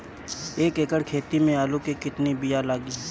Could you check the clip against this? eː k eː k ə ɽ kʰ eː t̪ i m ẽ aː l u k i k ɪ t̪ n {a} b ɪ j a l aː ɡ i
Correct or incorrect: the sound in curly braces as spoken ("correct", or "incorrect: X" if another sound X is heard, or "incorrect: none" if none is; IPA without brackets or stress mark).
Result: incorrect: i